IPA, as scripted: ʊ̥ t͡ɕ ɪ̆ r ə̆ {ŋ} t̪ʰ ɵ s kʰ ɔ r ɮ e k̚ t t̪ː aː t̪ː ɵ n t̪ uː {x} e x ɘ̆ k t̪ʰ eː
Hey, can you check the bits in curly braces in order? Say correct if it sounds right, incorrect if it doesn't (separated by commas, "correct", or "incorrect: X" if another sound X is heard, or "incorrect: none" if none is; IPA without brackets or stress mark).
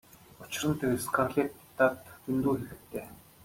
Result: incorrect: n, correct